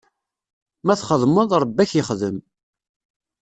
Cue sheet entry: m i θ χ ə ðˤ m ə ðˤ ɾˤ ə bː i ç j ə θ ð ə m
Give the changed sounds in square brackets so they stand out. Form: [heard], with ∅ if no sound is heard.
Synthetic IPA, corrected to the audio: m [æ] θ χ ə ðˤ m ə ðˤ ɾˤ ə bː [æ] ç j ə [χ] ð ə m